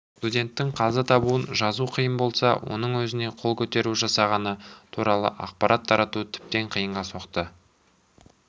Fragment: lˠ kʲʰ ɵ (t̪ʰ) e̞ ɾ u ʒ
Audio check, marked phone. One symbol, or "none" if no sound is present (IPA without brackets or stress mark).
t̪